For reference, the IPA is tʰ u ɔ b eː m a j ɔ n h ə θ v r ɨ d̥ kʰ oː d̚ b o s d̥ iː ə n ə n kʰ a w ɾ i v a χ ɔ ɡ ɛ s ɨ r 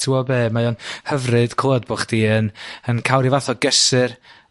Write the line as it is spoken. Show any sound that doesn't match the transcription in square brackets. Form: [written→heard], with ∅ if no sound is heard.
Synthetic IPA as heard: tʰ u ɔ b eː m a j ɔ n h ə [θ→∅] v r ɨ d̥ kʰ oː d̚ b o [s→χ] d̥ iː ə n ə n kʰ a w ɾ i v a [χ→θ] ɔ ɡ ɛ s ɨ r